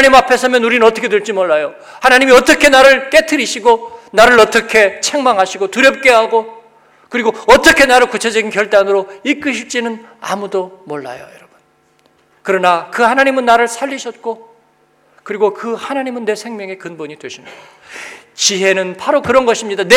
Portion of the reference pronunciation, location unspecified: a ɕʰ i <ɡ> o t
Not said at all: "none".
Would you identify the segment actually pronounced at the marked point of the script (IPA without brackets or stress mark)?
ɡ